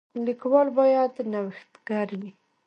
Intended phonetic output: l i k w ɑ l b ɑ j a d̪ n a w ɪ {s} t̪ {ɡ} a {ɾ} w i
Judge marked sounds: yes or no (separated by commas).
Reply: no, yes, yes